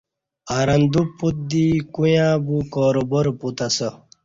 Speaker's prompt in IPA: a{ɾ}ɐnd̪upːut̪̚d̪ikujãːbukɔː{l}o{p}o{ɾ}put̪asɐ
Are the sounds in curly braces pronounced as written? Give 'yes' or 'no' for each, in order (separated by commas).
yes, no, no, yes